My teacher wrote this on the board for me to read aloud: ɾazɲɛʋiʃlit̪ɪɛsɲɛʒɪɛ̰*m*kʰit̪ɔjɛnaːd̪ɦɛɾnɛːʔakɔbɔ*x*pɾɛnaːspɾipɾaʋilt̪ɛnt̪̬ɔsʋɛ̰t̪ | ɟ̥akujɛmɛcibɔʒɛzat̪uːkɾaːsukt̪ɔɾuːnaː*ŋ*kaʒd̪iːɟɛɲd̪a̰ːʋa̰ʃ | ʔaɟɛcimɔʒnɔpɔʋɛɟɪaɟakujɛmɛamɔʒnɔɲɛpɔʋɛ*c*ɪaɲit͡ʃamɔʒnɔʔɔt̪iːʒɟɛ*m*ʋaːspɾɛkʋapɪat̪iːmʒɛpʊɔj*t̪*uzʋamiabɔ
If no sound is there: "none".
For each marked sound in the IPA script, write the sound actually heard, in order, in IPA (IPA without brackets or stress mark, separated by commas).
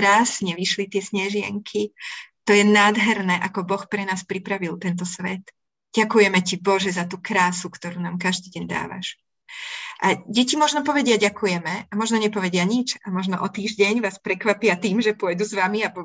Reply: ŋ, x, m, ɟ, ɲ, d̪